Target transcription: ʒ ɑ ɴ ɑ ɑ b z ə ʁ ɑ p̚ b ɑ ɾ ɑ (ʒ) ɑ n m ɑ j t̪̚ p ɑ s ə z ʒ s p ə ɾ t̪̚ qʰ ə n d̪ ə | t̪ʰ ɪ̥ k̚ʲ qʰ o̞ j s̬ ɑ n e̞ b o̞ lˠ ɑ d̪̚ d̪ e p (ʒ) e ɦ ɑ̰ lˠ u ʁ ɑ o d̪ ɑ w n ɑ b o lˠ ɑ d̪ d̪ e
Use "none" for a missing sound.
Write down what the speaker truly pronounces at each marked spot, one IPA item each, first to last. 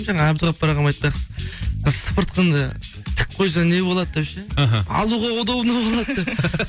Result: ʁ, ʃ

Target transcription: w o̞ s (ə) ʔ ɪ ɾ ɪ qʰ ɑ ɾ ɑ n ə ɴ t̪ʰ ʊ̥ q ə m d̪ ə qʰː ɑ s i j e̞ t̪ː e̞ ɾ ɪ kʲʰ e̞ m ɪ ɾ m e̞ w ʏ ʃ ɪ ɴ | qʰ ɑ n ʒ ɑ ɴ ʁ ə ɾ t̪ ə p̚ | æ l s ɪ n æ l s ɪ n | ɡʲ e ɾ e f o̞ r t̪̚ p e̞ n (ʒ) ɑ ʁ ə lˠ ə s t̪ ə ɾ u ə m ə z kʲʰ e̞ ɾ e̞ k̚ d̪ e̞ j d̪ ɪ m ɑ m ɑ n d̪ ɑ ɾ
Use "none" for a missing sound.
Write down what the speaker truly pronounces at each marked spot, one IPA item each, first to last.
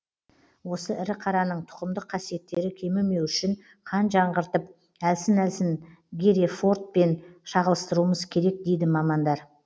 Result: ə, ʃ

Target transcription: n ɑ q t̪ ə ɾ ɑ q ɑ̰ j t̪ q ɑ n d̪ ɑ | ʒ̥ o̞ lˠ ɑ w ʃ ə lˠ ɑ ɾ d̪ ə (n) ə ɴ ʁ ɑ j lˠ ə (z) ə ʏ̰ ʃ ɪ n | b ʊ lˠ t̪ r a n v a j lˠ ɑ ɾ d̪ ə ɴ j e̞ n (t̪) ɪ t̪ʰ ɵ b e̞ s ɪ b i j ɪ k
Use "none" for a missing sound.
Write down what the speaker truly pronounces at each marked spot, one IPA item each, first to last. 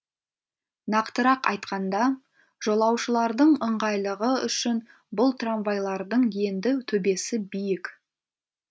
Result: ɴ, ʁ, d̪

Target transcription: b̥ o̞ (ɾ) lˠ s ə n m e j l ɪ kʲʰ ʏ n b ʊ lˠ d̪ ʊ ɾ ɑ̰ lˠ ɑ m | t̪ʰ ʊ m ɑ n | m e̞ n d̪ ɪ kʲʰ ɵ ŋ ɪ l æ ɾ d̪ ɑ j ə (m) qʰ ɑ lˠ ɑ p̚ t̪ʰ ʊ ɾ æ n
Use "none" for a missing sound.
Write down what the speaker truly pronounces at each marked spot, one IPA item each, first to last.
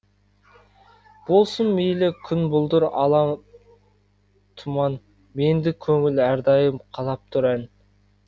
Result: none, m

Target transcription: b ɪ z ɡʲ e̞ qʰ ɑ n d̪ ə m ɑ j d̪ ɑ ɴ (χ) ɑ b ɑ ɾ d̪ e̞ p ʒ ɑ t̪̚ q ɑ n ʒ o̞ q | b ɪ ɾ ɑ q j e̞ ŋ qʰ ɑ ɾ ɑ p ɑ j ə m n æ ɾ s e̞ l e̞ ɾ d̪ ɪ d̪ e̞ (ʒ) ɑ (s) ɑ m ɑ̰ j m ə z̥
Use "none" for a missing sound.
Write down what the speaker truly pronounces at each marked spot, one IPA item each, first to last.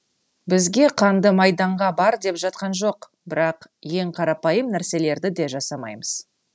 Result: ʁ, ʒ, s

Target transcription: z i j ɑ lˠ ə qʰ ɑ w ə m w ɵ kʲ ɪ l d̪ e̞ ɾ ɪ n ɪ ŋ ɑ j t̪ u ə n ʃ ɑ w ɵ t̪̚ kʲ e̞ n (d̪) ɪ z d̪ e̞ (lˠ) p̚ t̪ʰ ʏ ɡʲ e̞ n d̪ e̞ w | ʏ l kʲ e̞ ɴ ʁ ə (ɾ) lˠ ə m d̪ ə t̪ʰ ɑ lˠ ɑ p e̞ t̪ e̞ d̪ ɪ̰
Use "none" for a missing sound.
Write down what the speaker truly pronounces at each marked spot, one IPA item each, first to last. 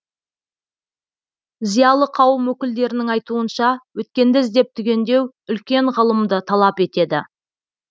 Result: d̪, none, none

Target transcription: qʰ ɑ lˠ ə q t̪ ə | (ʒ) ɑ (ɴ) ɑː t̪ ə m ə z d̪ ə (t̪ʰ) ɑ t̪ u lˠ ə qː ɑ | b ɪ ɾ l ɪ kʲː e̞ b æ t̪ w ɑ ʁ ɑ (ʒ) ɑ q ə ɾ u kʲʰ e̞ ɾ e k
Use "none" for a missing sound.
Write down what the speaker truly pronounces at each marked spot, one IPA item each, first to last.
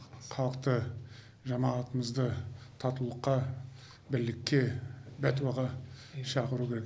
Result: ʒ, m, t̪ʰ, ʃ

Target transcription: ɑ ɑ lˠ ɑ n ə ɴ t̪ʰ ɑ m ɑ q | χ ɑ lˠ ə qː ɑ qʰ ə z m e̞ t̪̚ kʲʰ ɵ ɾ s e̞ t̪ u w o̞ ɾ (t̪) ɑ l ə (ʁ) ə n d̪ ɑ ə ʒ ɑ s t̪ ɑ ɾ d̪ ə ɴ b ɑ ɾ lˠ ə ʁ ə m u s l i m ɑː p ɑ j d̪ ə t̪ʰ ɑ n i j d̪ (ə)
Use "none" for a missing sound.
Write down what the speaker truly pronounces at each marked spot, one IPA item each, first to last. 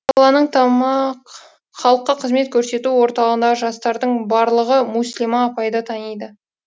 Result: t̪, ʁ, ə

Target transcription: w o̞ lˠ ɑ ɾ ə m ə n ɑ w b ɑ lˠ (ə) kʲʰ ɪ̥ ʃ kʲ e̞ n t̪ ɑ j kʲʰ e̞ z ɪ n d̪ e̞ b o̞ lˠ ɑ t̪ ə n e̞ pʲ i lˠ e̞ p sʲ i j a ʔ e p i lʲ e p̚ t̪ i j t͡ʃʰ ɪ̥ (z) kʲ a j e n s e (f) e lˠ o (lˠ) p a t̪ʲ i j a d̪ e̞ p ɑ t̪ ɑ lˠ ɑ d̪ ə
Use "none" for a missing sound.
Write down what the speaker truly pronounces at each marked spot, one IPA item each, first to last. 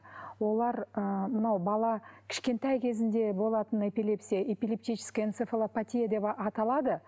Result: ɑ, s, f, none

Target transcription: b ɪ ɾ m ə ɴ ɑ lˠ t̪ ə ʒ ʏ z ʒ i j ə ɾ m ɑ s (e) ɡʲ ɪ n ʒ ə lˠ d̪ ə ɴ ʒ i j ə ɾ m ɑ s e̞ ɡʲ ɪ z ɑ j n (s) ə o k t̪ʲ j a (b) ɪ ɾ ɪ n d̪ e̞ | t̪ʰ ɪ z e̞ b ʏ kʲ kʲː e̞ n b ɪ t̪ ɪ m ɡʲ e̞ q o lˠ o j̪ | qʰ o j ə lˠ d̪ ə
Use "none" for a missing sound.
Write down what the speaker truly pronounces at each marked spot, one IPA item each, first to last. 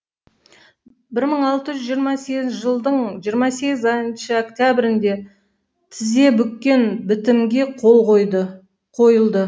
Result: e, ʃ, b

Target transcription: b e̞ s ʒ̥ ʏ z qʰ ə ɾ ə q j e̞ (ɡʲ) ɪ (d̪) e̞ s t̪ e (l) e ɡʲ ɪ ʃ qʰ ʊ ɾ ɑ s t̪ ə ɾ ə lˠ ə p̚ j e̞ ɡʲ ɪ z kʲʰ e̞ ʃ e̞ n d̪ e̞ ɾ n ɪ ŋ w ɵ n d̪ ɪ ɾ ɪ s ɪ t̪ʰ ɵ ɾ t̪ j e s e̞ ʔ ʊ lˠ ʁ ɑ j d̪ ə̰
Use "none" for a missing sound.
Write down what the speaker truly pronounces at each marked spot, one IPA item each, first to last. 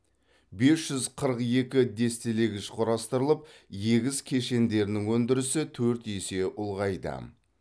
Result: kʲ, d̪, l

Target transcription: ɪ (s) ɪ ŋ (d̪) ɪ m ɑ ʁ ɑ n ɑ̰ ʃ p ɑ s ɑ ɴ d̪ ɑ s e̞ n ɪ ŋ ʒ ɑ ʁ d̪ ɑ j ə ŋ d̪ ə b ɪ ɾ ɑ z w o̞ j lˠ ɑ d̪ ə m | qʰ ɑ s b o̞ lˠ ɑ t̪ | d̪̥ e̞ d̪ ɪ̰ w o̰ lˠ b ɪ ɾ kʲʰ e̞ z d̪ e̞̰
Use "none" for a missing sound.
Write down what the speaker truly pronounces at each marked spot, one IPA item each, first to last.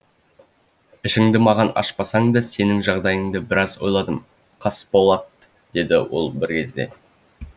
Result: ʃ, d̪

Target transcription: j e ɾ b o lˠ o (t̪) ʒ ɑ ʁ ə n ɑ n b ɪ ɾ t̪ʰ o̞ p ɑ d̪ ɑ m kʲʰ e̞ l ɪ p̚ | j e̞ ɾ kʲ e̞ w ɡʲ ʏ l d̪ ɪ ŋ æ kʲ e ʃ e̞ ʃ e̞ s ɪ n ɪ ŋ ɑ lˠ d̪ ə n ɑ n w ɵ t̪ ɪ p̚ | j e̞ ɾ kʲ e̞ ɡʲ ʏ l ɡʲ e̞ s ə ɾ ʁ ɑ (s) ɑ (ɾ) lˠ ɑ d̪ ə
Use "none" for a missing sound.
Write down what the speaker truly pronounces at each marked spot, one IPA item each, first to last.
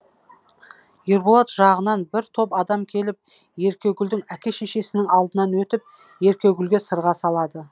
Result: t̪, s, none

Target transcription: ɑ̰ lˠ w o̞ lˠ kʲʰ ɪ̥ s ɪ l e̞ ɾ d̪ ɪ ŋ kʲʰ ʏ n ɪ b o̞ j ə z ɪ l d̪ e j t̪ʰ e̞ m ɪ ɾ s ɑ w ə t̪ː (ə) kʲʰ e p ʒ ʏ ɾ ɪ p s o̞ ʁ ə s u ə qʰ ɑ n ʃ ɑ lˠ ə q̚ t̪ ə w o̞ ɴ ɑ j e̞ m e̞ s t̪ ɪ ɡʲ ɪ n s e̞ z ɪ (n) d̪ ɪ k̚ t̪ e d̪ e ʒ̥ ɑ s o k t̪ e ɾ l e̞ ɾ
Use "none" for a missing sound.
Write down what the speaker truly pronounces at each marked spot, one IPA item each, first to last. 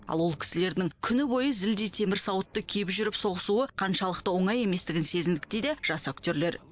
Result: ə, n

